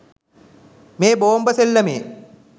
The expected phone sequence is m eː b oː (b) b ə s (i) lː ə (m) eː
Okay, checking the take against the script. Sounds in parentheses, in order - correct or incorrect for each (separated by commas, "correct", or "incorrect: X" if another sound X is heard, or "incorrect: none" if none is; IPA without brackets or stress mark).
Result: incorrect: m, incorrect: e, correct